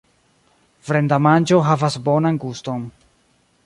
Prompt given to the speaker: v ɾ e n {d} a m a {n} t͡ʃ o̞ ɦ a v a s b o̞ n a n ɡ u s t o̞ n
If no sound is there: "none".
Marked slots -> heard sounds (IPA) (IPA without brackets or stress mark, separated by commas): d, n